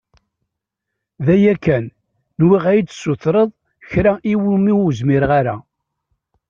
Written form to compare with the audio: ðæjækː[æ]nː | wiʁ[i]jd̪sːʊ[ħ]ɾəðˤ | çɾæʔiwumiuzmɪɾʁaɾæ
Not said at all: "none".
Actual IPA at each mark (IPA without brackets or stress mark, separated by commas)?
æ, æ, θ